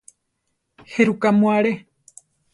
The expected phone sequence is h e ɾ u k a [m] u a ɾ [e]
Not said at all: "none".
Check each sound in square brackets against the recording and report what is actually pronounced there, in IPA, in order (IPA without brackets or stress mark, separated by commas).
m, e